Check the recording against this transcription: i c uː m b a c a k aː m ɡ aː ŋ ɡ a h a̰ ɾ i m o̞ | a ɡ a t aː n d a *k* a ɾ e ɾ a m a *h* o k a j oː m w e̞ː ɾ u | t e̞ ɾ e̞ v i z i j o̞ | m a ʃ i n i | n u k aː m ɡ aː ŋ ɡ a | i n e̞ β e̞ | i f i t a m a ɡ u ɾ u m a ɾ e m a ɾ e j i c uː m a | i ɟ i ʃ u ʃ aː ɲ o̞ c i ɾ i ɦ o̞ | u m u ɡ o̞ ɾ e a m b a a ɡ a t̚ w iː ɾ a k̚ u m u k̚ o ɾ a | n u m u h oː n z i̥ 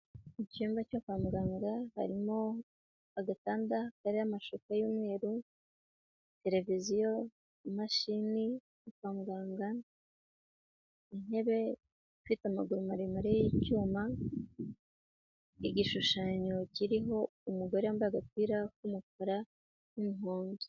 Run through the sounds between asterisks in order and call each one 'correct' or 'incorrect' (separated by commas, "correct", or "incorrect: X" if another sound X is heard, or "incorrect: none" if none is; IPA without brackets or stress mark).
correct, incorrect: ʃ